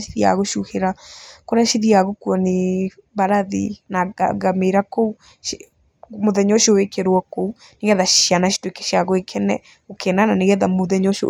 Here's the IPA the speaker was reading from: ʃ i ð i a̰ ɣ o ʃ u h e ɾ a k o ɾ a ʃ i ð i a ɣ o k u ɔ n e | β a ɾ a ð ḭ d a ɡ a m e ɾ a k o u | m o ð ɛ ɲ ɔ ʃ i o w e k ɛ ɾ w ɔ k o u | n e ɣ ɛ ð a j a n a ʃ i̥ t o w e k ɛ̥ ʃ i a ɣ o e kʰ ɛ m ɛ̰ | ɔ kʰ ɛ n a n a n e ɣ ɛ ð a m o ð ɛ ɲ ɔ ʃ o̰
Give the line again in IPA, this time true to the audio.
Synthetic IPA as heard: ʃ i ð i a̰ ɣ o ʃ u h e ɾ a k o ɾ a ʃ i ð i a ɣ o k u ɔ n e | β a ɾ a ð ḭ n a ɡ a m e ɾ a k o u | m o ð ɛ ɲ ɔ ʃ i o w e k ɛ ɾ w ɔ k o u | n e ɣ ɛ ð a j a n a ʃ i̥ t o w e k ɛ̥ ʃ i a ɣ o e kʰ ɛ n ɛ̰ | o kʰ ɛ n a n a n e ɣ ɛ ð a m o ð ɛ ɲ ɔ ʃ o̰